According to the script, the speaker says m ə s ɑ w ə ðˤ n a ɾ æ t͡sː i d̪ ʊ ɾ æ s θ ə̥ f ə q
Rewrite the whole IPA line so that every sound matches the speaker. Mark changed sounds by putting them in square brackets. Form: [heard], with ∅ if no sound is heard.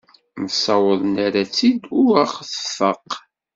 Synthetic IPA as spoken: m ə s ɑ w ə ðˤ n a ɾ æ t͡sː i d̪ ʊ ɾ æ [χ] θ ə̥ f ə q